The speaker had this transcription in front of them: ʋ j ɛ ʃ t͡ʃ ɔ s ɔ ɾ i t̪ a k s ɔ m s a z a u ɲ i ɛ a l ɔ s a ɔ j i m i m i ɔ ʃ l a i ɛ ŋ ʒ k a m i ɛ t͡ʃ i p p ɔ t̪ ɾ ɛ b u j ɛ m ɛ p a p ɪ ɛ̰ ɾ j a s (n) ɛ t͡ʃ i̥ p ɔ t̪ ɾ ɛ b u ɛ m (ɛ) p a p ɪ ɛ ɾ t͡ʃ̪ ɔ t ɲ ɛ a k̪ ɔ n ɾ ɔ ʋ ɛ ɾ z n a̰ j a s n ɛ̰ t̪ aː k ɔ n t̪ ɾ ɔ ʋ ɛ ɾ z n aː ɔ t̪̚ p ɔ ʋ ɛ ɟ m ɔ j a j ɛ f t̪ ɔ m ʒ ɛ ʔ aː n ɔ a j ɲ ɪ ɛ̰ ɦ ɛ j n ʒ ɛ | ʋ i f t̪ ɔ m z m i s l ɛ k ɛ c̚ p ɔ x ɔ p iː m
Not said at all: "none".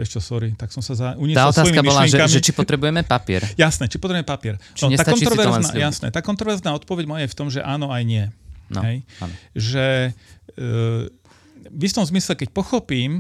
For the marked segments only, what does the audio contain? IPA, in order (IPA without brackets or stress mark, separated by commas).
n, ɛ